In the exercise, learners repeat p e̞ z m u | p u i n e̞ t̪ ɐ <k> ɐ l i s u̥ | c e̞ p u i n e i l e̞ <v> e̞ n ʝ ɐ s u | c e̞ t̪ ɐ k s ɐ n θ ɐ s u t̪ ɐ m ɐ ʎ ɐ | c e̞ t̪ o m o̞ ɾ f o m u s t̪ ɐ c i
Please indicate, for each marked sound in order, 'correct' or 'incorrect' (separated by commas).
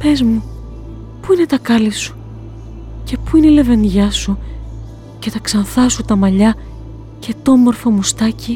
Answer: correct, correct